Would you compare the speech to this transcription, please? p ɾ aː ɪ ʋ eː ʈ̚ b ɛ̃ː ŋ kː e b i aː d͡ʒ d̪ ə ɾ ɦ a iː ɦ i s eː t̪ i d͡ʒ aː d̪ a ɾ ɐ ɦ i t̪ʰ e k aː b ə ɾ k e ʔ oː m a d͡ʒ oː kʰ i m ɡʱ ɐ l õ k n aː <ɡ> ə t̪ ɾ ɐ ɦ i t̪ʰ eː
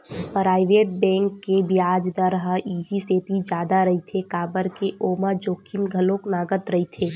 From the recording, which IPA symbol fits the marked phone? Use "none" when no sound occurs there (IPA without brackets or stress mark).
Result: ɡ